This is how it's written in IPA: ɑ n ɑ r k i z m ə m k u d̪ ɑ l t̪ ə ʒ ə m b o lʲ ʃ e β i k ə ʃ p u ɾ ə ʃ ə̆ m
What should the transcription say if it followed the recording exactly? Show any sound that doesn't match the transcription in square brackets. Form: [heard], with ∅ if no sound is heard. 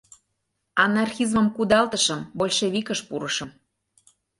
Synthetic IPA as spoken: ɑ n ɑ r [x] i z m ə m k u d̪ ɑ l t̪ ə [ʃ] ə m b o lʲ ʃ e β i k ə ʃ p u ɾ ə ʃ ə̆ m

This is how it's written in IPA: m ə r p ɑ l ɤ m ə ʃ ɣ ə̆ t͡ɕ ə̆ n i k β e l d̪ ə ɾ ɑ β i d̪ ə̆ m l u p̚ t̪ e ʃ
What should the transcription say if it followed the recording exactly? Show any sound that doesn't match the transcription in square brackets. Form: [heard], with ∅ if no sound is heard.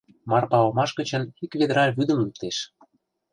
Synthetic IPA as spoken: m [ɑ] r p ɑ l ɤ m [ɑ] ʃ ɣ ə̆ t͡ɕ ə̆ n i k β e [∅] d̪ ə ɾ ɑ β [y] d̪ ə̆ m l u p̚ t̪ e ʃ

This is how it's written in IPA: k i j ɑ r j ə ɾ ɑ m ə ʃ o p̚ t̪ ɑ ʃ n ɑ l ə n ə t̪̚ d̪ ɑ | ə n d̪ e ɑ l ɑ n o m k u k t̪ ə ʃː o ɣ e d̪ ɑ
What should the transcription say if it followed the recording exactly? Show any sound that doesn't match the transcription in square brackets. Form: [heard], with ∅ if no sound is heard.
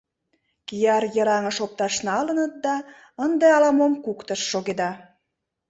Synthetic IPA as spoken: k i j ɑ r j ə ɾ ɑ [ŋ] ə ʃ o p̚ t̪ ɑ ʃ n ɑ l ə n ə t̪̚ d̪ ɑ | ə n d̪ e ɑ l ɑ [m] o m k u k t̪ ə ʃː o ɣ e d̪ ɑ

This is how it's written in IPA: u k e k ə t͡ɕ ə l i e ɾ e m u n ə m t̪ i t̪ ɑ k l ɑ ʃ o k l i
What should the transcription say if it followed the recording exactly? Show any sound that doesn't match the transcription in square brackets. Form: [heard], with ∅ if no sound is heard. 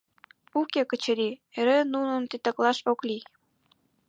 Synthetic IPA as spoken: u k e k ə t͡ɕ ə [ɾ] i e ɾ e [n] u n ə [n] t̪ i t̪ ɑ k l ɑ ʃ o k l i

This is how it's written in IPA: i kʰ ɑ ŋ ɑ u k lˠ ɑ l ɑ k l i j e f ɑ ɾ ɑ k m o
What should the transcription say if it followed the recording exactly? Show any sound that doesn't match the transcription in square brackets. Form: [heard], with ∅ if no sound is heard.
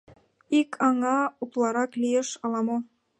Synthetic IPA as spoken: i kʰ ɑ ŋ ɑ u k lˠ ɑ [ɾ] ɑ k l i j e [ʃ] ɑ [l] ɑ [∅] m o

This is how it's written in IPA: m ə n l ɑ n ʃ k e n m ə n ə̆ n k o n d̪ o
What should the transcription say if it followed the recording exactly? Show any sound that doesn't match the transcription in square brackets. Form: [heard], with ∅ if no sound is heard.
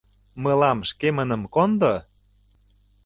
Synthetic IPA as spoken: m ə [∅] l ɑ [m] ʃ k e [∅] m ə n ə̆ [m] k o n d̪ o

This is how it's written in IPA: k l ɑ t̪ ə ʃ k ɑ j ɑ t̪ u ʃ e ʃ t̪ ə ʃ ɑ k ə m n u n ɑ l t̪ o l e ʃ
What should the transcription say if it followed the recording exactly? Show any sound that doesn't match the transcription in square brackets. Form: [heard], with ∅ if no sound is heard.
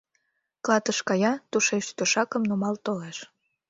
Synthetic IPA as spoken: k l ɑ t̪ ə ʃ k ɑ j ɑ t̪ u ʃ e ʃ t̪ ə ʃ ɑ k ə m n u [m] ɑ l t̪ o l e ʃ

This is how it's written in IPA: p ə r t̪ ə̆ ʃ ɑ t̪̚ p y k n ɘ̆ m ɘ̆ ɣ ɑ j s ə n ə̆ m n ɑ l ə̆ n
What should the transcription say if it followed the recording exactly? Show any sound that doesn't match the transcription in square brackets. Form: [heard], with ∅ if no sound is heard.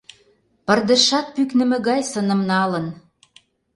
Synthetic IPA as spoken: p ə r [d̪] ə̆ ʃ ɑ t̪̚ p y k n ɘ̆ m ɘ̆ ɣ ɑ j s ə n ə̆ m n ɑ l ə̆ n

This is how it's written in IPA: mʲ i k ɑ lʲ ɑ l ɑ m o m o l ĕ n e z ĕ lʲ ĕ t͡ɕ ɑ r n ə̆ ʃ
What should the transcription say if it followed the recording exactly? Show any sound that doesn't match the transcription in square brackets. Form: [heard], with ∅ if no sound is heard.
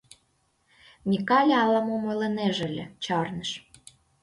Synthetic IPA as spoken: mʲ i k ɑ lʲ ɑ l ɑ m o m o l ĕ n e [ʒ] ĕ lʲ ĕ t͡ɕ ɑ r n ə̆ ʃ

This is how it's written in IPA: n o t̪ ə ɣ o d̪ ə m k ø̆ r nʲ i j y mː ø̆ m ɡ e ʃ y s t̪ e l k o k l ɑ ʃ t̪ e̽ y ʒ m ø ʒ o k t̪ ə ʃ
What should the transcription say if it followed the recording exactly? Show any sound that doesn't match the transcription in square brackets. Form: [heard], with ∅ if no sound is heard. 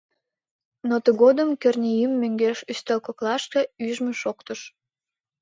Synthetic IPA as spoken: n o t̪ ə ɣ o d̪ ə m k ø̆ r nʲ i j y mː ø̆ [ŋ] ɡ e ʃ y s t̪ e l k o k l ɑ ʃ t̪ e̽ y ʒ m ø [ʃ] o k t̪ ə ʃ

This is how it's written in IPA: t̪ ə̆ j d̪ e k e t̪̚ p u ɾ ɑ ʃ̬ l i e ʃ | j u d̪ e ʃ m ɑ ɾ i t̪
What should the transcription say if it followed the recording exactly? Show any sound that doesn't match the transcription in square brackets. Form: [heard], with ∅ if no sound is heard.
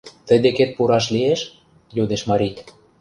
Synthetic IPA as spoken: t̪ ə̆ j d̪ e k e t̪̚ p u ɾ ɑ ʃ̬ l i e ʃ | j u d̪ e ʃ m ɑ ɾ i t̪

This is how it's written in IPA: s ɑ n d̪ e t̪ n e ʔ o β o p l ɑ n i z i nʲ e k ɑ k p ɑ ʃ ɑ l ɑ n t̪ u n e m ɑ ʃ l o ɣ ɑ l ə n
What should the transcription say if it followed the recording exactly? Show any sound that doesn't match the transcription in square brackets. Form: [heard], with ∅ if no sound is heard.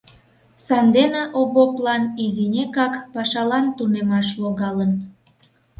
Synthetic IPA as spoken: s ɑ n d̪ e [∅] n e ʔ o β o p l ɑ n i z i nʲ e k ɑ k p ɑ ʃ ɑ l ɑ n t̪ u n e m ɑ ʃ l o ɣ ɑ l ə n

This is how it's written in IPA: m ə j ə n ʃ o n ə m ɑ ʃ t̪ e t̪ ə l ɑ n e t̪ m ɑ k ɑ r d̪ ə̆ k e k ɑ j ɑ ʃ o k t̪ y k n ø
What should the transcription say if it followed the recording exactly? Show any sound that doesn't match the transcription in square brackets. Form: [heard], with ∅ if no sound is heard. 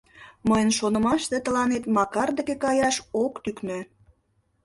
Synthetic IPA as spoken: m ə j ə n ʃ o n ə m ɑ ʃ t̪ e t̪ ə l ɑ n e t̪ m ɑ k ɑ r d̪ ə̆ k e k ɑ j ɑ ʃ o k t̪ y k n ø

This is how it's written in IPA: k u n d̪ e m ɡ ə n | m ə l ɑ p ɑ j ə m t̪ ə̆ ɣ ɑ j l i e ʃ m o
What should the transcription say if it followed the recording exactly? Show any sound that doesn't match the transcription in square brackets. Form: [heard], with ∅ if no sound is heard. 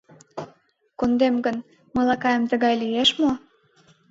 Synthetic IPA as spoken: k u n d̪ e m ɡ ə n | m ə l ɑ [k] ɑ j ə m t̪ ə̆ ɣ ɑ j l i e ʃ m o

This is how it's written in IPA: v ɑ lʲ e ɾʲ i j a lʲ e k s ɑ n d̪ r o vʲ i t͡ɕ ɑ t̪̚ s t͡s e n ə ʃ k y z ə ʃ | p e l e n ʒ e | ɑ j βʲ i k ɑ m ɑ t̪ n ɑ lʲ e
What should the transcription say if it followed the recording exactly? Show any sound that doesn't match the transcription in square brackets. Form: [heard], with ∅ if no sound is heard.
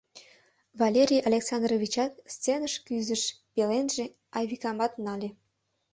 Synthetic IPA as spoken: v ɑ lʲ e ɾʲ i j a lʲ e k s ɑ n d̪ r o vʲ i t͡ɕ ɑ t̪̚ s t͡s e n ə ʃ k y z ə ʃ | p e l e n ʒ e | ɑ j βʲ i k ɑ m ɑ t̪ n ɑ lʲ e

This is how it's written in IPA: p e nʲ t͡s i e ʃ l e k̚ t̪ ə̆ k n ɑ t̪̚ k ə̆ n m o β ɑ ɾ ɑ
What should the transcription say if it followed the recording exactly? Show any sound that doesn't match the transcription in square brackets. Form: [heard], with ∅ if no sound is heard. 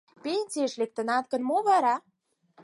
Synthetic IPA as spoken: p e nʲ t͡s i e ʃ l e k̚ t̪ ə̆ [∅] n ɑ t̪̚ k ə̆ n m o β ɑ ɾ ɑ

